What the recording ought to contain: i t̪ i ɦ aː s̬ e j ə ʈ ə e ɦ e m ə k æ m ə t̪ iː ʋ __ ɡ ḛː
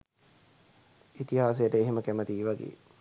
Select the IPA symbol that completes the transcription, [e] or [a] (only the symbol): a